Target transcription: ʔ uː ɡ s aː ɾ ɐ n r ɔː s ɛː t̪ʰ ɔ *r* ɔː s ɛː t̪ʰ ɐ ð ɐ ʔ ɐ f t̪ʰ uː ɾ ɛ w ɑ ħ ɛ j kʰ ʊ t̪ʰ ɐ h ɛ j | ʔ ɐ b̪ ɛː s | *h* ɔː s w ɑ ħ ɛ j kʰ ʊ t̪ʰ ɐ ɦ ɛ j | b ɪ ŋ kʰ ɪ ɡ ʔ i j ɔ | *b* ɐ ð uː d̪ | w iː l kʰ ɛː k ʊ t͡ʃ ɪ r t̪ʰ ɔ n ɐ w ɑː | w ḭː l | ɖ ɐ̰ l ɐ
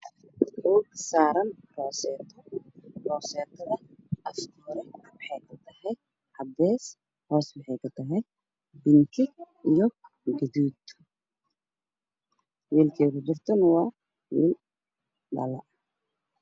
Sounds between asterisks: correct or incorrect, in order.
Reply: correct, correct, incorrect: ɡ

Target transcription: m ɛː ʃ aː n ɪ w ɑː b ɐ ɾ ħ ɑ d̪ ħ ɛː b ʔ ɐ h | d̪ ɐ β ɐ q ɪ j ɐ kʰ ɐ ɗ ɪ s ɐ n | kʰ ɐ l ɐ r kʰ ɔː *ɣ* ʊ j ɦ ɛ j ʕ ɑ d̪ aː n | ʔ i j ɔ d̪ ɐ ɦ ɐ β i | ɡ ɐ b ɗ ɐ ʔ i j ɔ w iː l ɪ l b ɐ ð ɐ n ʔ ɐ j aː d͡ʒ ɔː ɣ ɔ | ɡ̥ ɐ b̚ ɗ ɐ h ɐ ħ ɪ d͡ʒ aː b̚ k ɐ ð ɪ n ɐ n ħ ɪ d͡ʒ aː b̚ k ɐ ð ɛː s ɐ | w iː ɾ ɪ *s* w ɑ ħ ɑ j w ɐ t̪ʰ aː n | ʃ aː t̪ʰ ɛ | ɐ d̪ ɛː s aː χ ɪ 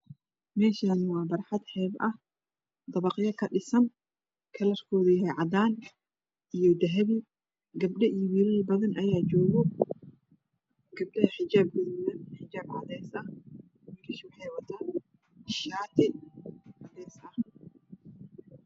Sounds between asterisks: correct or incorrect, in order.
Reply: incorrect: ð, incorrect: ʃ

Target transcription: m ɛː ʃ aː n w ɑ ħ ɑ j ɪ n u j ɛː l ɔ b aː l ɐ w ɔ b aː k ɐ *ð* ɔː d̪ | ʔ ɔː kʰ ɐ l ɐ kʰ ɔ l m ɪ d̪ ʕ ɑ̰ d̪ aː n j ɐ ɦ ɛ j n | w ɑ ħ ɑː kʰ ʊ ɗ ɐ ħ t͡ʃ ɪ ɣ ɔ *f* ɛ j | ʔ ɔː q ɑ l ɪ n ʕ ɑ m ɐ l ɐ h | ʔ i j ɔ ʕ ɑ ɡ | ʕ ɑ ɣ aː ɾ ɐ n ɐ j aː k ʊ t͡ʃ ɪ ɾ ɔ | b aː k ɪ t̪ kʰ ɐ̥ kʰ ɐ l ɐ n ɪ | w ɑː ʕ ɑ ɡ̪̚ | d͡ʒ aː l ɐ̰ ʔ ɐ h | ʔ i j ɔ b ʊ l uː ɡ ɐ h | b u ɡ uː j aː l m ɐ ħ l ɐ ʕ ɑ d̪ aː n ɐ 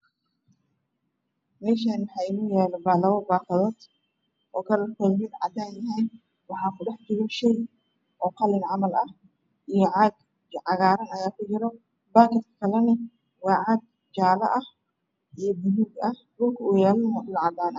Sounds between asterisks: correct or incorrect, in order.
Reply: correct, incorrect: ʃ

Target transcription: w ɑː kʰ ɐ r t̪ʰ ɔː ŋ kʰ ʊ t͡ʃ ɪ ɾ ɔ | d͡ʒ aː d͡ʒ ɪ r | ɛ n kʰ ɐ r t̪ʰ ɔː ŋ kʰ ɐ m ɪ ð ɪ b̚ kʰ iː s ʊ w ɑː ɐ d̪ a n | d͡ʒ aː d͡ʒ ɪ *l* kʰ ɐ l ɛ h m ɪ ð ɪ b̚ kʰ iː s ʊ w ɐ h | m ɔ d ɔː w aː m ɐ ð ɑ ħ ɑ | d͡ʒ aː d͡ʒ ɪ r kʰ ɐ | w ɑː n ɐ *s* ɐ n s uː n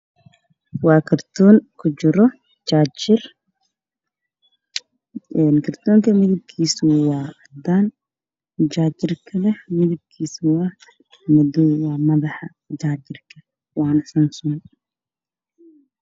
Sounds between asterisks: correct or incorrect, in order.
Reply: incorrect: r, correct

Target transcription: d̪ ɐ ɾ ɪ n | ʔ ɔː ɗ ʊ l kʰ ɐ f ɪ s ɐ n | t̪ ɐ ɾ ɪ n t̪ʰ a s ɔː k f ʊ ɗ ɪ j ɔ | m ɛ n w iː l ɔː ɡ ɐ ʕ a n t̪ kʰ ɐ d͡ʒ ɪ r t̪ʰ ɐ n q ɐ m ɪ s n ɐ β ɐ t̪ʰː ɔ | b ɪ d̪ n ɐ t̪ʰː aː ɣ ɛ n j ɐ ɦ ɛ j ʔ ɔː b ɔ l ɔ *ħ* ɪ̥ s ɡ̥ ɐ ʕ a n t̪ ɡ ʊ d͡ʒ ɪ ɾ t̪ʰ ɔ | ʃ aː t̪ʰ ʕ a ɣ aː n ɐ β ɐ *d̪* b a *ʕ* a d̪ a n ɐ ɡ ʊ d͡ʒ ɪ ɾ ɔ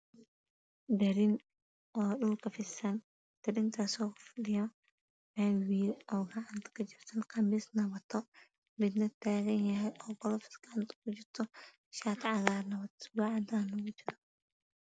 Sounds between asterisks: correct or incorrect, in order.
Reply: incorrect: f, incorrect: t̪, correct

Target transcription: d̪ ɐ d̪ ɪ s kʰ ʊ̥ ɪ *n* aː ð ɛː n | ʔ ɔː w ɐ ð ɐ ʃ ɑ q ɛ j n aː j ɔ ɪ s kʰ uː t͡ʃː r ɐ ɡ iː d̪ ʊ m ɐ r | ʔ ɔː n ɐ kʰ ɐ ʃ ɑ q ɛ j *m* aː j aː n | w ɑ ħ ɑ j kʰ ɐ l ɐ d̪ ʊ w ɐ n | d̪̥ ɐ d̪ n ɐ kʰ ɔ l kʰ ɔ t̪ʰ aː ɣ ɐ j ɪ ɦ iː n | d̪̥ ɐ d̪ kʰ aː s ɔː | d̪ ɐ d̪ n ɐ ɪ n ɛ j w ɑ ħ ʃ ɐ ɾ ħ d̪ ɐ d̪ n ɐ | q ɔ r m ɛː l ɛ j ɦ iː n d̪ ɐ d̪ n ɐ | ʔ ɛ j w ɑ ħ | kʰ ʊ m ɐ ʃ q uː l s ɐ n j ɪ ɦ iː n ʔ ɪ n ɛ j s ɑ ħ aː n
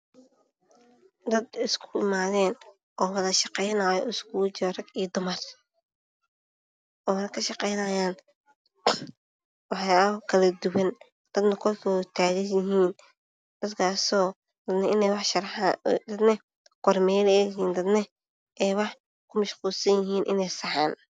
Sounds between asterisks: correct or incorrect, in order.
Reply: incorrect: m, incorrect: n

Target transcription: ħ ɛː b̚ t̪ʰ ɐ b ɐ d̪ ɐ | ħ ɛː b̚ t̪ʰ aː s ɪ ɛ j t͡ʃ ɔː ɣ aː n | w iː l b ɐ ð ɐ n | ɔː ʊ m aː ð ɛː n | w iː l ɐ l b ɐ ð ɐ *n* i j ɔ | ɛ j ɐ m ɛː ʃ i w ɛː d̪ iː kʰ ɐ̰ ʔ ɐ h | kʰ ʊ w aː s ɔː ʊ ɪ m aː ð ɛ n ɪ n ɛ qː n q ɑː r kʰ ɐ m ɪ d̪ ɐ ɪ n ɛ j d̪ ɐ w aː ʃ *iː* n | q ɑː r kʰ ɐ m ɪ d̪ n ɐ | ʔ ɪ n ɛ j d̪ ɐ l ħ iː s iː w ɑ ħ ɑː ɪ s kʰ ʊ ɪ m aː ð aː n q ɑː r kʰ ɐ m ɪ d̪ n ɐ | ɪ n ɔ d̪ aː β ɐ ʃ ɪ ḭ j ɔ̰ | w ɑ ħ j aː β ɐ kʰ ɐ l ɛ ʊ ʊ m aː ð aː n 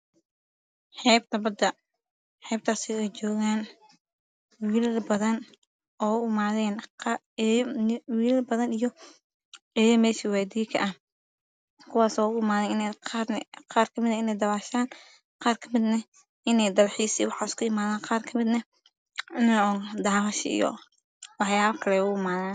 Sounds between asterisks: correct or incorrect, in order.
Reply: correct, incorrect: aː

